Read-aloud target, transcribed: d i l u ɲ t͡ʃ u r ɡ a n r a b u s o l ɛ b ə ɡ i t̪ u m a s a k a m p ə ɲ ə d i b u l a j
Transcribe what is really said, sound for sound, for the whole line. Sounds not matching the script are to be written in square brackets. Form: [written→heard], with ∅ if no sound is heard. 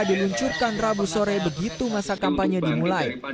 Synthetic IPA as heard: d i l u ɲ t͡ʃ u r [ɡ→k] a n r a b u s o [l→ɾ] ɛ b ə ɡ i t̪ u m a s a k a m p [ə→a] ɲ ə d i [b→m] u l a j

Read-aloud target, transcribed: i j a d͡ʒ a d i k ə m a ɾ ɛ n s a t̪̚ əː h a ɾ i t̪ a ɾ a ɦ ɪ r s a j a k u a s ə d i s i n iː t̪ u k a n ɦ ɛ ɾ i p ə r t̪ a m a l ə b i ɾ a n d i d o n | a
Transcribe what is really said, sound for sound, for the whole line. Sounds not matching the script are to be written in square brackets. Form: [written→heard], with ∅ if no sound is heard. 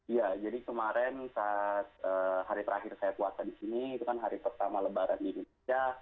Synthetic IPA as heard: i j a d͡ʒ a d i k ə m a ɾ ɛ n s a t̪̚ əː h a ɾ i t̪ [a→ə] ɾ a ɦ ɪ r s a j a k u a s [ə→a] d i s i n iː t̪ u k a n ɦ [ɛ→a] ɾ i p ə r t̪ a m a l ə b [i→a] ɾ a n d i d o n | a

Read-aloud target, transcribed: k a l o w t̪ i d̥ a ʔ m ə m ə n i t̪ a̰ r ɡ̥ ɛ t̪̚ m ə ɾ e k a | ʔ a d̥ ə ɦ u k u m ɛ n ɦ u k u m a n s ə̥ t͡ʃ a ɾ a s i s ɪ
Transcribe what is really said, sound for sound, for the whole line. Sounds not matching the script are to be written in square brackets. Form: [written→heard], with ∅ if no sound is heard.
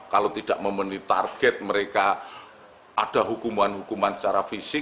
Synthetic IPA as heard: k a l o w t̪ i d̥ a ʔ m ə m ə n i t̪ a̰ r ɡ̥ ɛ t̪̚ m ə ɾ e k a | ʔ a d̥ [ə→a] ɦ u k u m [ɛ→a] n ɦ u k u m a n s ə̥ t͡ʃ a ɾ a [s→f] i s ɪ

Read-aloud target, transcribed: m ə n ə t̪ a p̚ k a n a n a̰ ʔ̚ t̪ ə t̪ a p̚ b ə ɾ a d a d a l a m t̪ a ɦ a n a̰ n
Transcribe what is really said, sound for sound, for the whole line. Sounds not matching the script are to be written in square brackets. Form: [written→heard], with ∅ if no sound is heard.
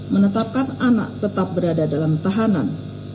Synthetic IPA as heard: m ə n ə t̪ a p̚ k a n a n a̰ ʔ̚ t̪ ə t̪ a p̚ b ə ɾ a d a d a l a m t̪ a ɦ a n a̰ n

